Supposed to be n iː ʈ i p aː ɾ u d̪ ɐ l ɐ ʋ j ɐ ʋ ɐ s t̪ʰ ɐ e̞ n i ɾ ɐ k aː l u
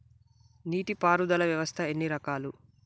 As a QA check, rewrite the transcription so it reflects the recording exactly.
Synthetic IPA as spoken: n iː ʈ i p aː ɾ u d̪ ɐ l ɐ ʋ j ɐ ʋ ɐ s t̪ʰ ɐ e̞ nː i ɾ ɐ k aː l u